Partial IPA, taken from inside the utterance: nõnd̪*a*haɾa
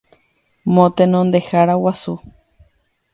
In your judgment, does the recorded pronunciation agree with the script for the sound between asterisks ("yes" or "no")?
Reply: no